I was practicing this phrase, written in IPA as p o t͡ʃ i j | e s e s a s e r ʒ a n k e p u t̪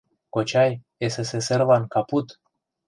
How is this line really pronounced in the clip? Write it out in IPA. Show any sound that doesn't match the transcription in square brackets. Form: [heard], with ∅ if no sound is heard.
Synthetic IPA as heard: [k] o t͡ʃ [a] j | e s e s [e] s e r [v] a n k [a] p u t̪

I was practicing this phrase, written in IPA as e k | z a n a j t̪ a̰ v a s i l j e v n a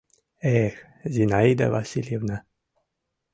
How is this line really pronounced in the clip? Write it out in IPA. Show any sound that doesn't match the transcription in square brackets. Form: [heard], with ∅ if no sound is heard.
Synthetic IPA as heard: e [x] | z [i] n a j [d̪] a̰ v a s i l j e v n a

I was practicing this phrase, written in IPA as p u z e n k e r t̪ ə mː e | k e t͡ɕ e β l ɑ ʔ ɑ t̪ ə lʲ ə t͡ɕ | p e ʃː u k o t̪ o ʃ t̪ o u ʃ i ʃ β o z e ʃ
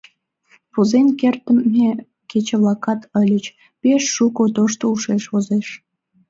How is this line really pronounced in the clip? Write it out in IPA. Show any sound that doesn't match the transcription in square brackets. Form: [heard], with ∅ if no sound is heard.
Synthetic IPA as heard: p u z e n k e r t̪ ə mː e | k e t͡ɕ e β l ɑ [k] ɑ t̪ ə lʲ ə t͡ɕ | p e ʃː u k o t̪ o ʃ t̪ o u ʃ [e] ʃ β o z e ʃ

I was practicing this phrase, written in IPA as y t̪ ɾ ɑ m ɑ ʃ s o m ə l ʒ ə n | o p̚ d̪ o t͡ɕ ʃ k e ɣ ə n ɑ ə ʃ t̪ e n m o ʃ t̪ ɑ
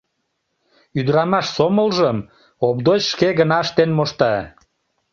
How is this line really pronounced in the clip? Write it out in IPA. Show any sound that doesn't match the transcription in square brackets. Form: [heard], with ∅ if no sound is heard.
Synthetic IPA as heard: y [d̪] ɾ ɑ m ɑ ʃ s o m ə l ʒ ə [m] | o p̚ d̪ o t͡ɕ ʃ k e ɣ ə n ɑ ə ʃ t̪ e n m o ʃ t̪ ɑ

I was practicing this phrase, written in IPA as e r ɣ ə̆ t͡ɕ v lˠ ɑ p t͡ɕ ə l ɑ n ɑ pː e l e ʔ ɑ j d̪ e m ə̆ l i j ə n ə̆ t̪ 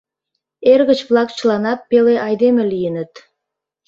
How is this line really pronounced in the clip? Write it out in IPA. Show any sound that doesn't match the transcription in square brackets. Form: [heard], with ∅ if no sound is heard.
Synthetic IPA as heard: e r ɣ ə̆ t͡ɕ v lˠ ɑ [k] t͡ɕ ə l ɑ n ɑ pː e l e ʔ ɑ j d̪ e m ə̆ l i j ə n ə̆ t̪

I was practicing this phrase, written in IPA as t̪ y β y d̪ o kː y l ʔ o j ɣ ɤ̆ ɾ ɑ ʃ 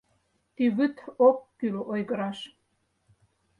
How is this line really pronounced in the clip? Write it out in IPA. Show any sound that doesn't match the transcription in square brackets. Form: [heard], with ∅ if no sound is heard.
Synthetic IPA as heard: t̪ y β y [t̪] o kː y l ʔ o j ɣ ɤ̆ ɾ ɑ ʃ

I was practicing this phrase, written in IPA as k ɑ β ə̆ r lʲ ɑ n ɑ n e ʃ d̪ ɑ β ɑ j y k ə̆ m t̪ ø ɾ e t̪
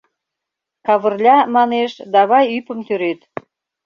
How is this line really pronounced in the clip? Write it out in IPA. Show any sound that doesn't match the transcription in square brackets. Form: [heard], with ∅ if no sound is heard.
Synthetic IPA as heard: k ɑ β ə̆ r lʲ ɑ [m] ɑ n e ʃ d̪ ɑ β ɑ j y [p] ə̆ m t̪ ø ɾ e t̪

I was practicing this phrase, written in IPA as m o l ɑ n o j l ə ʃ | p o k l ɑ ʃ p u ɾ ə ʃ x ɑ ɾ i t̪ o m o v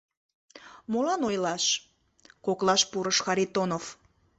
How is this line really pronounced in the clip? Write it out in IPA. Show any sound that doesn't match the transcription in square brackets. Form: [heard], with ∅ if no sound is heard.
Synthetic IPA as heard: m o l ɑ n o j l [ɑ] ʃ | [k] o k l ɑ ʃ p u ɾ ə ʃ x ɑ ɾ i t̪ o [n] o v

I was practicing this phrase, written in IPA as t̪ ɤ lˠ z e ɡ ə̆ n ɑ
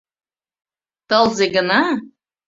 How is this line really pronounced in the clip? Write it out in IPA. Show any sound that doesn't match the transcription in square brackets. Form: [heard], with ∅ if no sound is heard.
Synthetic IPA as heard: t̪ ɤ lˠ z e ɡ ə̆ n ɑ

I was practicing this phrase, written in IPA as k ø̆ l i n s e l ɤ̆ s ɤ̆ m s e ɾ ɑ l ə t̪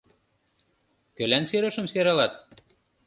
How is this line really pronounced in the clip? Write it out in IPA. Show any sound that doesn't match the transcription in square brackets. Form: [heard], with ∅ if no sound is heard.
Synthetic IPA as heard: k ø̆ l [æ] n s e [ɾ] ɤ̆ [ʃ] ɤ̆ m s e ɾ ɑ l [ɑ] t̪

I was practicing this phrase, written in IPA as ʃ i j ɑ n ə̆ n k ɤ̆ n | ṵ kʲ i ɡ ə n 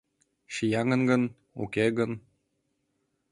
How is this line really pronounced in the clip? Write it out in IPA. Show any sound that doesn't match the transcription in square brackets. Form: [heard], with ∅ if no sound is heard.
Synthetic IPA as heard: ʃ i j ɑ [ŋ] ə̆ n [ɡ] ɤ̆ n | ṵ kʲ [e] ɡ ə n

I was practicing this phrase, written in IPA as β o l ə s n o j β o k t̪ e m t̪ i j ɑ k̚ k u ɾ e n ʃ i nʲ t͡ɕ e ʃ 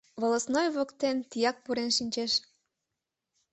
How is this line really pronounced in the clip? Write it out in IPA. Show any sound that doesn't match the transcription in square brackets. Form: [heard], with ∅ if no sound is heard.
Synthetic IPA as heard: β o l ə s n o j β o k t̪ e [n] t̪ i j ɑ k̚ [p] u ɾ e n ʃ i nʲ t͡ɕ e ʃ

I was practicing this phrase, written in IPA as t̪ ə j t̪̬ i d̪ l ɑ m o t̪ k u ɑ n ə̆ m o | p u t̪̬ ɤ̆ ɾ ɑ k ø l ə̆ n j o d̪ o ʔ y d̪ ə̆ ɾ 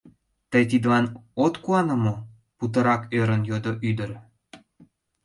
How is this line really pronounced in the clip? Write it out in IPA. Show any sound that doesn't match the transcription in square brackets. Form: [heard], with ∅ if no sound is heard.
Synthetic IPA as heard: t̪ ə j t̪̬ i d̪ l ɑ [n] o t̪ k u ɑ n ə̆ m o | p u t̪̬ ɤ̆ ɾ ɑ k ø [ɾ] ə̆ n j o d̪ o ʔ y d̪ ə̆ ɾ

